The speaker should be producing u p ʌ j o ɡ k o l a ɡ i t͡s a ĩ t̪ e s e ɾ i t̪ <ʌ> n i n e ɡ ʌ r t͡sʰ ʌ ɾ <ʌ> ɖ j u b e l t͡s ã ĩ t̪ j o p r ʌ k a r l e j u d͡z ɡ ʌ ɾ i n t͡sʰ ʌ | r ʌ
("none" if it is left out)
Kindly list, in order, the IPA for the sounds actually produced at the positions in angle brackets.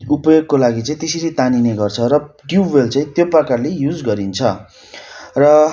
a, ʌ

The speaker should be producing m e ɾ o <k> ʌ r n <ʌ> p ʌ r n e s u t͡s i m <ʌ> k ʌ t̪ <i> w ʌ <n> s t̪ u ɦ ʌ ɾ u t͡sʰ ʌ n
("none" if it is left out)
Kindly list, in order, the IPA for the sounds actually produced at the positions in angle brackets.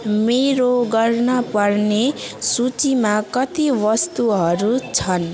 ɡ, ʌ, a, i, none

